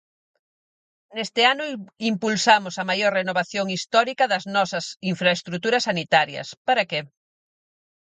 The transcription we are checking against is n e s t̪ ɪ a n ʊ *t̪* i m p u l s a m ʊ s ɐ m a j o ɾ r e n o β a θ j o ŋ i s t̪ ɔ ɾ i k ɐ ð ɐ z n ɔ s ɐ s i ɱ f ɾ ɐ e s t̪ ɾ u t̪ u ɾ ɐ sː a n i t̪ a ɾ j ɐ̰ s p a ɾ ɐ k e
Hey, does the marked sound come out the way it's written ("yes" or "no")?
no